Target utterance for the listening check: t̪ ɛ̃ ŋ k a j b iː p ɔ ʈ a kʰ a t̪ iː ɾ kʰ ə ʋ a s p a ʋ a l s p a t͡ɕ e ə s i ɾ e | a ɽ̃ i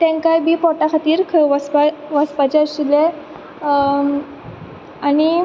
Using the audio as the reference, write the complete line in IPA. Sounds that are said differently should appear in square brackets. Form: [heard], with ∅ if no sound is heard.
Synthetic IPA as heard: t̪ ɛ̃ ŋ k a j b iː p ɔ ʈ a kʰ a t̪ iː ɾ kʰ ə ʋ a s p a ʋ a [∅] s p a t͡ɕ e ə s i [l] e | a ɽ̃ i

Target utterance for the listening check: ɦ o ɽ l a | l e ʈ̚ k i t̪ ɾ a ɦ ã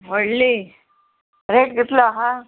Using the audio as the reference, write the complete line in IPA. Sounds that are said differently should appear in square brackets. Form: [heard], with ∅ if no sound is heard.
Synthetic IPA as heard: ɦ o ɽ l [i] | [ɾ] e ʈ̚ [ɡ] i t̪ [l] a ɦ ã

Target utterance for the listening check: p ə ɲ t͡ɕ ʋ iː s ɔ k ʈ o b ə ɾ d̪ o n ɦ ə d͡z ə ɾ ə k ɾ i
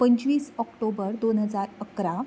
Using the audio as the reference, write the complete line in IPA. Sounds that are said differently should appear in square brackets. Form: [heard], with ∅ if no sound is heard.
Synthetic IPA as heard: p ə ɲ t͡ɕ ʋ iː s ɔ k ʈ o b ə ɾ d̪ o n ɦ ə d͡z [a] ɾ ə k ɾ [a]

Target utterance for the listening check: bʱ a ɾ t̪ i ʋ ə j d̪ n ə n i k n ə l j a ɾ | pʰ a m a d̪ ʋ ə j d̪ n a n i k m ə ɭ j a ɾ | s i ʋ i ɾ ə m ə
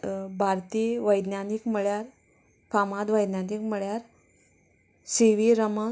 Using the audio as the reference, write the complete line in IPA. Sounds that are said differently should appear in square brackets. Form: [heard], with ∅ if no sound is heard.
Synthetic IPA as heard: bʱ a ɾ t̪ i ʋ ə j d̪ n [a] n i k [m] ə [ɭ] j a ɾ | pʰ a m a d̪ ʋ ə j d̪ n a n i k m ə ɭ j a ɾ | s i ʋ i ɾ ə m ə

